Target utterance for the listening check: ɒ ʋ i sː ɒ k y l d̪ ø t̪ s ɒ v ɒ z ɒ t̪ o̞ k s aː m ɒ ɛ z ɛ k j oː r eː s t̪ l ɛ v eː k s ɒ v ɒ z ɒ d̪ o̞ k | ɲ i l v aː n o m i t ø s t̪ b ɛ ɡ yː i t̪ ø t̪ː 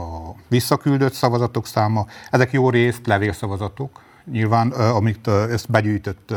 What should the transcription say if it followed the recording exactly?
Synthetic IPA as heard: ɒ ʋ i sː ɒ k y l d̪ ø t̪ s ɒ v ɒ z ɒ t̪ o̞ k s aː m ɒ ɛ z ɛ k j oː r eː s t̪ l ɛ v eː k s ɒ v ɒ z ɒ t̪ o̞ k | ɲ i l v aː n ɒ m i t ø s t̪ b ɛ ɟ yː j t̪ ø t̪ː